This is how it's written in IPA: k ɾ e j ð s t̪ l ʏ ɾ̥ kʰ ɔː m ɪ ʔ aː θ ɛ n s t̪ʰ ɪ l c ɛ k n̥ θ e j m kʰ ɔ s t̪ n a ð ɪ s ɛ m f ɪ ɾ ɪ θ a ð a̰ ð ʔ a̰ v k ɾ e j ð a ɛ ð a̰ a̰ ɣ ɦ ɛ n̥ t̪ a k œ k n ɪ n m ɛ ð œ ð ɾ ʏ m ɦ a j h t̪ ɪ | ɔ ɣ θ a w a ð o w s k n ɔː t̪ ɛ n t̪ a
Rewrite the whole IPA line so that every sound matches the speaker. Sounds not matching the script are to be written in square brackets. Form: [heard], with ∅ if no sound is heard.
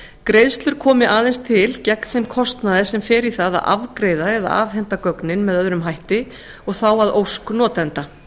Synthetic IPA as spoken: k ɾ e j ð s t̪ l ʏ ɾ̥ kʰ ɔː m ɪ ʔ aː [ð] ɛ n s t̪ʰ ɪ l c ɛ k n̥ θ e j m kʰ ɔ s t̪ n a ð ɪ s ɛ m f ɪ ɾ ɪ θ a ð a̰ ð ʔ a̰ v k ɾ e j ð a ɛ ð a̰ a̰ [v] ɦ ɛ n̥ t̪ a k œ k n ɪ n m ɛ ð œ ð ɾ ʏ m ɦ a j h t̪ ɪ | ɔ ɣ θ a w a ð o w s k n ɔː t̪ ɛ n t̪ a